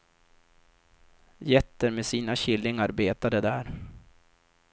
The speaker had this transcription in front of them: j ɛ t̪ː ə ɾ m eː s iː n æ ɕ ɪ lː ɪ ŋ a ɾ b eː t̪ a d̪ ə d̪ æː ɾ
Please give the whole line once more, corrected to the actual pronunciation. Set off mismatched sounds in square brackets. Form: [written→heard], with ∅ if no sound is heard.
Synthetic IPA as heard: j ɛ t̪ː ə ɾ m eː s iː n [æ→a] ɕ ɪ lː ɪ ŋ a ɾ b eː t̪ a d̪ ə d̪ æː ɾ

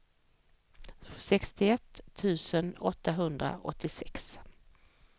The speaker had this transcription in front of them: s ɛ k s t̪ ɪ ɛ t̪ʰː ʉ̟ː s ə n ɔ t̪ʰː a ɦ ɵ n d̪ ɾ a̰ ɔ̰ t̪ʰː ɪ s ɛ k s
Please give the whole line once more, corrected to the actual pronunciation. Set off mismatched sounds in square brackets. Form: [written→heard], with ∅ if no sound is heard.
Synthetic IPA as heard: s ɛ k s t̪ ɪ ɛ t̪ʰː ʉ̟ː s ə n ɔ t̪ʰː a ɦ ɵ n d̪ ɾ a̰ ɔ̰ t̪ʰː ɪ s ɛ k s

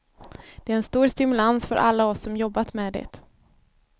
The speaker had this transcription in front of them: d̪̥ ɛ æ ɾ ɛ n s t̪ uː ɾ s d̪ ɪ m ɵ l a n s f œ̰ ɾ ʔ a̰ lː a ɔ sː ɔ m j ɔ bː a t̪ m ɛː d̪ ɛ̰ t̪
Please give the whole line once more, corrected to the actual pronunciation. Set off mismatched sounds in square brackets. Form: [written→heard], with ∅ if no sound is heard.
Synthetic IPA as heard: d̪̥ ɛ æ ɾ ɛ n s t̪ uː ɾ s [d̪→t̪] ɪ m ɵ l a n s f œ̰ ɾ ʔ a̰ lː a ɔ sː ɔ m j ɔ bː a t̪ m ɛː d̪ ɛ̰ t̪

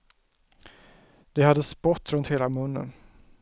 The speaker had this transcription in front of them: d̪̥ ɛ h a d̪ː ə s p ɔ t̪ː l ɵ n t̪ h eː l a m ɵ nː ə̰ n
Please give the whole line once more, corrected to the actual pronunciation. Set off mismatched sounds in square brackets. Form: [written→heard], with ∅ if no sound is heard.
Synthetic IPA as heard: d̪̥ ɛ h a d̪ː ə s p ɔ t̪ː [l→ɾ] ɵ n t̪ h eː l a m ɵ nː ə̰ n

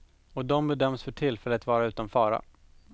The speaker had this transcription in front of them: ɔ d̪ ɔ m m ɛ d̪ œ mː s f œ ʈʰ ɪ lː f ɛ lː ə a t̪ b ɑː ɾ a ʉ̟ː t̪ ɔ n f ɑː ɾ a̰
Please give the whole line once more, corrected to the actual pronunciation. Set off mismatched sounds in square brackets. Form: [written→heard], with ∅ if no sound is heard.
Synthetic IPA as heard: ɔ d̪ ɔ m [m→b] ɛ d̪ œ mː s f œ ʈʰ ɪ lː f ɛ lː ə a t̪ [b→v] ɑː ɾ a ʉ̟ː t̪ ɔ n f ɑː ɾ a̰

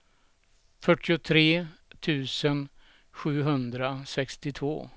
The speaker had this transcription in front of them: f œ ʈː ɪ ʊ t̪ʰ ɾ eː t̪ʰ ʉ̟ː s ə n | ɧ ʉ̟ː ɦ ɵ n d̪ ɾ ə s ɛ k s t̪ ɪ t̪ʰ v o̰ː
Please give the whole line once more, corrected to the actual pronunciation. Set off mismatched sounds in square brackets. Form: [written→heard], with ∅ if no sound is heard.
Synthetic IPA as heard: f œ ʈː ɪ ʊ t̪ʰ ɾ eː t̪ʰ ʉ̟ː s ə n | ɧ ʉ̟ː ɦ ɵ n d̪ ɾ [ə→a] s ɛ k s t̪ ɪ t̪ʰ v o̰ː

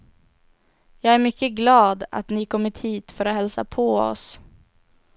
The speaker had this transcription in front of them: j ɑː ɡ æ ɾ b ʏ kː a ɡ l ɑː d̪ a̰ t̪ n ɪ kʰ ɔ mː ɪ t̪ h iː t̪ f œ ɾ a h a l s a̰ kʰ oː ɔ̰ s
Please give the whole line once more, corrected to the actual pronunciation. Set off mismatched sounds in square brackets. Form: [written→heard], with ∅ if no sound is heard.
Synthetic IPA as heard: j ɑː ɡ æ ɾ [b→m] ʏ kː [a→ə] ɡ l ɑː d̪ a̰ t̪ n ɪ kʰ ɔ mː ɪ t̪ h iː t̪ f œ ɾ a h [a→ɛ] l s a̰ [kʰ→pʰ] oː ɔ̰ s

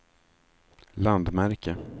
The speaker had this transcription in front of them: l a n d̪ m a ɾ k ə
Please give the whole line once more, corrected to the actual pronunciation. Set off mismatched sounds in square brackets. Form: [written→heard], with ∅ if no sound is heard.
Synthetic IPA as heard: l a n d̪ m [a→æ] ɾ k ə

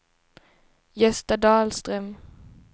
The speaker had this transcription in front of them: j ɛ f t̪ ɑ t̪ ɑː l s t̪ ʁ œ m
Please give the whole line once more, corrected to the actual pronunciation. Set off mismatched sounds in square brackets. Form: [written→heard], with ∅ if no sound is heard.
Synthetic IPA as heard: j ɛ [f→s] t̪ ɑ [t̪→d̪] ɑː l s t̪ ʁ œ m

